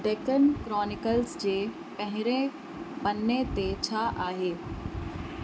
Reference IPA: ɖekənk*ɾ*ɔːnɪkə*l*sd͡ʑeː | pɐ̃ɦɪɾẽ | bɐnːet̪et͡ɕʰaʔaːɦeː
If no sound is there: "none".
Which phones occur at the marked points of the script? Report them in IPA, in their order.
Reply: ɾ, l

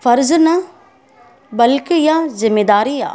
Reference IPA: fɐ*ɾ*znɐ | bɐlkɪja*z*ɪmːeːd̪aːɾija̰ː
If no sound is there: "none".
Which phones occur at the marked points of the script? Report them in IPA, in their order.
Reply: ɾ, z

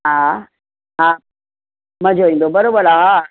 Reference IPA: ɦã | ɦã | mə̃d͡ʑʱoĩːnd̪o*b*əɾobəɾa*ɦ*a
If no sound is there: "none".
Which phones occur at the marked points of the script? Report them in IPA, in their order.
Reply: b, ɦ

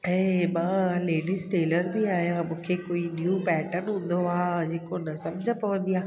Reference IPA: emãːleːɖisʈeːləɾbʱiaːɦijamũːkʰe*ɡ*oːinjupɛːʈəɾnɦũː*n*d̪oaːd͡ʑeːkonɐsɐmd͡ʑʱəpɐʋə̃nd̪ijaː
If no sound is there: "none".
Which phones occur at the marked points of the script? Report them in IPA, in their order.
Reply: k, n

